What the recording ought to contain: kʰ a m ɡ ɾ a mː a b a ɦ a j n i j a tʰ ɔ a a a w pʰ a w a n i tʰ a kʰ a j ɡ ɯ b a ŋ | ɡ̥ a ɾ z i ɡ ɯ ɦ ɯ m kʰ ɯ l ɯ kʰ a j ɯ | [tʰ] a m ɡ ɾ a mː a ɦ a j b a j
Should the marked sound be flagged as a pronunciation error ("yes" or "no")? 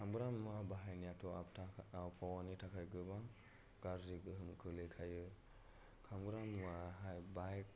yes